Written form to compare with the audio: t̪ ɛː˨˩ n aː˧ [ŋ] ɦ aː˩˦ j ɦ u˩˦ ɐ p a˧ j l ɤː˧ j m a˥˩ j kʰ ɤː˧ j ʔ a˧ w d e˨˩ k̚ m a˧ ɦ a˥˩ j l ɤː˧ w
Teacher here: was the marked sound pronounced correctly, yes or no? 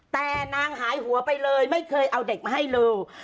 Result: yes